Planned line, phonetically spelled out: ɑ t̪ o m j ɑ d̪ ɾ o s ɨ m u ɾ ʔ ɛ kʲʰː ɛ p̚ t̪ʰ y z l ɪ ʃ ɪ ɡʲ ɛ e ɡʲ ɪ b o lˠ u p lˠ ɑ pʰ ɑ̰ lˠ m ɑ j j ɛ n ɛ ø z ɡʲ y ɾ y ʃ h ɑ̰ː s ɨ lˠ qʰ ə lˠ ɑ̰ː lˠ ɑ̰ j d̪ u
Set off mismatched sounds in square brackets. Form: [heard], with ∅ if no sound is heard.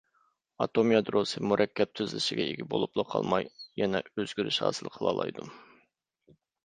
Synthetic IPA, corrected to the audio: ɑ t̪ o m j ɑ d̪ ɾ o s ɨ m u ɾ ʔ ɛ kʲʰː ɛ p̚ t̪ʰ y z l ɪ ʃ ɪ ɡʲ ɛ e ɡʲ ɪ b o lˠ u p lˠ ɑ [qʰ] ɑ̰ lˠ m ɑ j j ɛ n ɛ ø z ɡʲ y ɾ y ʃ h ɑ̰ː s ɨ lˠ qʰ ə lˠ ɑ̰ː lˠ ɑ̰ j d̪ u